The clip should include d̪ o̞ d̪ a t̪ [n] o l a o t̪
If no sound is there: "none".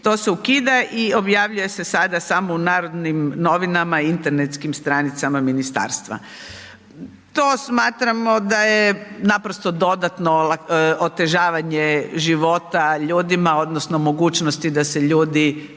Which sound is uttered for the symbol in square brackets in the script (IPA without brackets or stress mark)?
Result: n